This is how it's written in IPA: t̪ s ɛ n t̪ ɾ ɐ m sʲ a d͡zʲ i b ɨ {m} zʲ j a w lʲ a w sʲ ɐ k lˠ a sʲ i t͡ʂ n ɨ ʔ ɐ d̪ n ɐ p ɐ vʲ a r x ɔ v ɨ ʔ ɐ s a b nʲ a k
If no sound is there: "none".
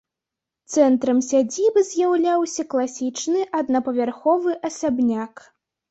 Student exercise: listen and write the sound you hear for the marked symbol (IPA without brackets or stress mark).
none